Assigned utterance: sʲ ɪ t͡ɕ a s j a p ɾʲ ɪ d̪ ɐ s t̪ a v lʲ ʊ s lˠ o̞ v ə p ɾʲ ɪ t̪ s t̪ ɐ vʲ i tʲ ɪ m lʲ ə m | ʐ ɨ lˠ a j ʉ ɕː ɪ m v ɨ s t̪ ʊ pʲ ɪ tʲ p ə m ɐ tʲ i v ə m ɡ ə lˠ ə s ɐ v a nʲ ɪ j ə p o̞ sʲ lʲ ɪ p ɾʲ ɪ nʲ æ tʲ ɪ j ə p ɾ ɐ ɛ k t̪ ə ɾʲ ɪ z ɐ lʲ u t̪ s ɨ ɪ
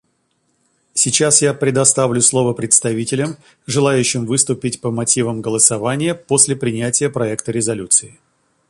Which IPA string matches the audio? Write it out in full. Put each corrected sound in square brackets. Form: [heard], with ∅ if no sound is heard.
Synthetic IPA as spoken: sʲ ɪ t͡ɕ a s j a p ɾʲ ɪ d̪ ɐ s t̪ a v lʲ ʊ s lˠ o̞ v ə p ɾʲ ɪ t̪ s t̪ ɐ vʲ i tʲ ɪ [∅] lʲ ə m | ʐ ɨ lˠ a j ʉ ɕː ɪ m v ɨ s t̪ ʊ pʲ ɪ tʲ p ə m ɐ tʲ i v ə m ɡ ə lˠ ə s ɐ v a nʲ ɪ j ə p o̞ sʲ lʲ ɪ p ɾʲ ɪ nʲ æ tʲ ɪ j ə p ɾ ɐ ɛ k t̪ ə ɾʲ ɪ z ɐ lʲ u t̪ s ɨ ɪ